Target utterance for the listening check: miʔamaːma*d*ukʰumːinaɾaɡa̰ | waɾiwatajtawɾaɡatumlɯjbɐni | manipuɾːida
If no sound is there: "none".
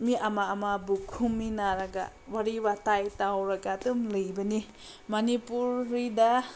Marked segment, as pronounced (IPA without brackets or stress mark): b